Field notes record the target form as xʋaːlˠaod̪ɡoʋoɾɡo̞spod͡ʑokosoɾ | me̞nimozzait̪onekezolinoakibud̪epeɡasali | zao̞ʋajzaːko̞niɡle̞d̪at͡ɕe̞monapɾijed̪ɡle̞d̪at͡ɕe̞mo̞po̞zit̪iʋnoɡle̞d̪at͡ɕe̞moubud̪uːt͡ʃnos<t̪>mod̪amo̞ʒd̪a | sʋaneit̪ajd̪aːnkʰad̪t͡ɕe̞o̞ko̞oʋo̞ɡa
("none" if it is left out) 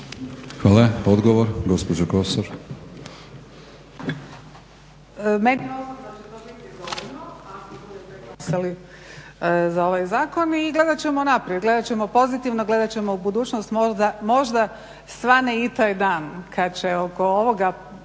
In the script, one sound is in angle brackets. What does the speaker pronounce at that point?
t̪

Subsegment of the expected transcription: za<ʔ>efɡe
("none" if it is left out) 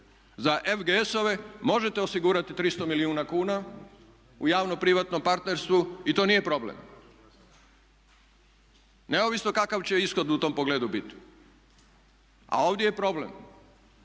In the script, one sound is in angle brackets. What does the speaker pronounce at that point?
ʔ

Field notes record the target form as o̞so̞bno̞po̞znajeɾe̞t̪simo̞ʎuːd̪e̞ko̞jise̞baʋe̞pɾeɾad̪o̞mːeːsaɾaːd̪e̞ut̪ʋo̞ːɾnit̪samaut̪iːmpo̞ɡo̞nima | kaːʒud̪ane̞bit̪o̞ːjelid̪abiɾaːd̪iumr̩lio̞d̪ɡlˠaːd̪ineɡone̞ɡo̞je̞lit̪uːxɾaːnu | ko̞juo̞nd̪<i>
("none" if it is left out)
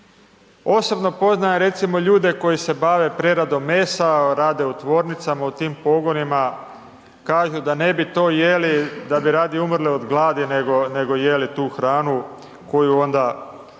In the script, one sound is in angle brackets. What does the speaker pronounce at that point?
a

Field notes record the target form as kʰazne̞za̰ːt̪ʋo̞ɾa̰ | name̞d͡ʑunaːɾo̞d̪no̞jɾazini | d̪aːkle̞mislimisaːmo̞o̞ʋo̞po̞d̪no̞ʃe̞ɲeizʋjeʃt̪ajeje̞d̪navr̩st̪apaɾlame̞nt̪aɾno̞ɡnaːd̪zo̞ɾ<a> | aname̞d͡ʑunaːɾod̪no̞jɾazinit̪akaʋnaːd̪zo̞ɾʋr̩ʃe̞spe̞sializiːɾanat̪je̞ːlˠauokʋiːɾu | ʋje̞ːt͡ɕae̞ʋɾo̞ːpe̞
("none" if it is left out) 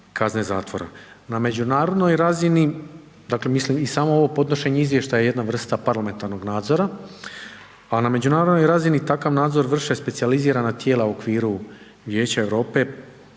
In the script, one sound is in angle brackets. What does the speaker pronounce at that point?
a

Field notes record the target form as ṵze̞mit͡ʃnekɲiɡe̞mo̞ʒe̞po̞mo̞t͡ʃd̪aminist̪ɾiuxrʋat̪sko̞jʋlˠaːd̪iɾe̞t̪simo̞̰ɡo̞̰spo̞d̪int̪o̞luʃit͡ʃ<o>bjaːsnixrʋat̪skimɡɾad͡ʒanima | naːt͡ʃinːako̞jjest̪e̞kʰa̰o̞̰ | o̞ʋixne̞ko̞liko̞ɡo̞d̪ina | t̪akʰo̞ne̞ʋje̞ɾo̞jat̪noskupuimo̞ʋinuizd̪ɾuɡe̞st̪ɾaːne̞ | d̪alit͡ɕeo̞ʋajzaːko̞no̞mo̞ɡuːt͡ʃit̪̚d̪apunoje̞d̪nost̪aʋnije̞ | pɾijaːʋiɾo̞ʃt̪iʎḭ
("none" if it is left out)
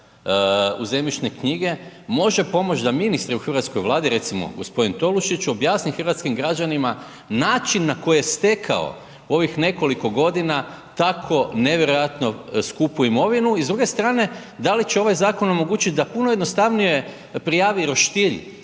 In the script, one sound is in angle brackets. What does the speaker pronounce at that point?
o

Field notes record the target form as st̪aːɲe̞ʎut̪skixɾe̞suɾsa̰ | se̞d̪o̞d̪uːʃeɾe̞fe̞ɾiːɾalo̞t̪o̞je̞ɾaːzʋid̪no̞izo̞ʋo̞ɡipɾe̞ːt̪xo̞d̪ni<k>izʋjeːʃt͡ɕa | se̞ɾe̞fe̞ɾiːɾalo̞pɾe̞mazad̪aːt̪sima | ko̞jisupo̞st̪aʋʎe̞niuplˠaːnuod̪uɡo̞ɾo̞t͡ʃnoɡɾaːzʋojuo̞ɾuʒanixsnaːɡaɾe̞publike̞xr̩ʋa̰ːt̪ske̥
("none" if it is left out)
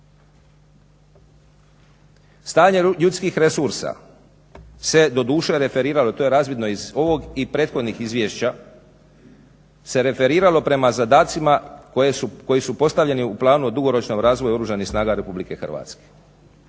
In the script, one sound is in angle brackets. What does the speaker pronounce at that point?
x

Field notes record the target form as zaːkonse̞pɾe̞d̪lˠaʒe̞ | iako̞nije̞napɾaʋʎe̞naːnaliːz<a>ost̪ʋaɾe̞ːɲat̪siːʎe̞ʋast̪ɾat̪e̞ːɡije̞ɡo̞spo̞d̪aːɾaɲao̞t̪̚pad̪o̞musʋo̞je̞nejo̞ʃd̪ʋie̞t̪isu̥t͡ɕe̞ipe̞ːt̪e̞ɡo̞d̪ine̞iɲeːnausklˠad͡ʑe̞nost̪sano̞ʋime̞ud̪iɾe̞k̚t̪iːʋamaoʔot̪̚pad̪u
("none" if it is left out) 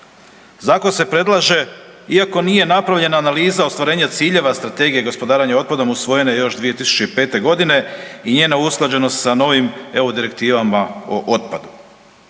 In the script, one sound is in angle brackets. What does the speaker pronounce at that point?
a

